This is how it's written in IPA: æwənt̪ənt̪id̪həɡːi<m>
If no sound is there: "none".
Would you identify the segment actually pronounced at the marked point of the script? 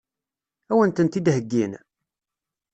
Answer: n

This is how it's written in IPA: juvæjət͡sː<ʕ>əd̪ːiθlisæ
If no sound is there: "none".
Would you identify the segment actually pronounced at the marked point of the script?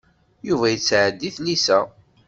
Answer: ʕ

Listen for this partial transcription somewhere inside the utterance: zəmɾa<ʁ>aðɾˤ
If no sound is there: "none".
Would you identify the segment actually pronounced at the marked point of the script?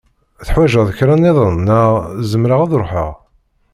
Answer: ʁ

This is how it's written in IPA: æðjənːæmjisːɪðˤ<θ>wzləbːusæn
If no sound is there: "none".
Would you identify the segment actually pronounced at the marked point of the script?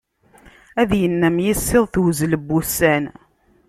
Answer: θ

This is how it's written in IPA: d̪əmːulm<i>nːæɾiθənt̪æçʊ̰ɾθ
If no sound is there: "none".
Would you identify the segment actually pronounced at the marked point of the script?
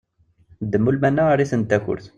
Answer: æ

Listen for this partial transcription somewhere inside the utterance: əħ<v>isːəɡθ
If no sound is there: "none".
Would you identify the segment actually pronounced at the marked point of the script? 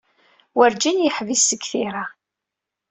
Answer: v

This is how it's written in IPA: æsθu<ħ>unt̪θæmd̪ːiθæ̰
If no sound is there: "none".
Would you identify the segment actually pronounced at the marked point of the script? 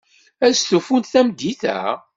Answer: f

